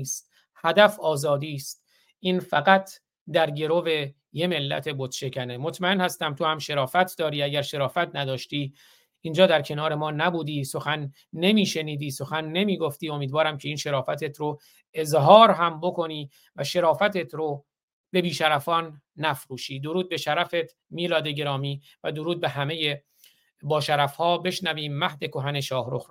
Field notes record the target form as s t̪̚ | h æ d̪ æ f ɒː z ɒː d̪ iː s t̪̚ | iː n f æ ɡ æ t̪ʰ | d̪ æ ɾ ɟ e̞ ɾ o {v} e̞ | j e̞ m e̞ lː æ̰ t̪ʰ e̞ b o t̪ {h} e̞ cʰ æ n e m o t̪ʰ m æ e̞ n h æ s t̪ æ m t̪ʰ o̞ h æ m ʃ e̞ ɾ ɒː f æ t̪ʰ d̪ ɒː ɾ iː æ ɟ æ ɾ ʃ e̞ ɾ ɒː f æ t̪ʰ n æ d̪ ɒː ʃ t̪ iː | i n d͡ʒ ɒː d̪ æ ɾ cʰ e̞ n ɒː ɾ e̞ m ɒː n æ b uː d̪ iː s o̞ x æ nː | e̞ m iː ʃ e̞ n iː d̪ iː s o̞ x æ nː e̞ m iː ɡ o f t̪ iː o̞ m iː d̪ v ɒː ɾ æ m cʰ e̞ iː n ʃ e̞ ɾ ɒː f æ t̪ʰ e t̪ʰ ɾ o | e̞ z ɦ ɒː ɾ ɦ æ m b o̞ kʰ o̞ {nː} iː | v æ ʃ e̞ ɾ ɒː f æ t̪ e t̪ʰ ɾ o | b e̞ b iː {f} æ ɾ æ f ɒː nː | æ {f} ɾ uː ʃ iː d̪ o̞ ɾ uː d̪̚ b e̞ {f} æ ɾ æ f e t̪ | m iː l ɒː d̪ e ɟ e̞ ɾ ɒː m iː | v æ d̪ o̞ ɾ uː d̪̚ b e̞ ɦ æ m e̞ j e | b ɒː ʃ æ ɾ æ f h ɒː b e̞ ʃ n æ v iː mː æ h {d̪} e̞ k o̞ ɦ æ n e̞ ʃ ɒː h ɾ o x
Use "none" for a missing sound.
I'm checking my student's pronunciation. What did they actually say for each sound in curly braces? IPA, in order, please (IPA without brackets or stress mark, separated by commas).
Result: v, ʃ, n, ʃ, f, ʃ, d̪